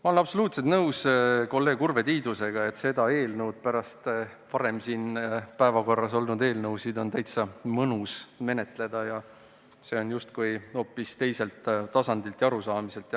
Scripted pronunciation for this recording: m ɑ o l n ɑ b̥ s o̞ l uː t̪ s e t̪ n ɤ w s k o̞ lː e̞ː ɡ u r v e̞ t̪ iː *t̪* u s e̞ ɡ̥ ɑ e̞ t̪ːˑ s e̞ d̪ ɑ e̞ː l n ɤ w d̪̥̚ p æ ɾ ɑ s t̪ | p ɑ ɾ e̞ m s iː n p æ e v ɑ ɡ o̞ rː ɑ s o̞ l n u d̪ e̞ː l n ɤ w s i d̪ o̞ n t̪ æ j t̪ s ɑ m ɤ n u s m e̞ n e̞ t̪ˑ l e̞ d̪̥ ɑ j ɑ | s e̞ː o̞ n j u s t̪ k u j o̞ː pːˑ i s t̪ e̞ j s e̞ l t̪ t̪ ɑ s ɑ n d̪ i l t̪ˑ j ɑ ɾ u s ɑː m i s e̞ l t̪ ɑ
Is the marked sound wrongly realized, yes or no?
yes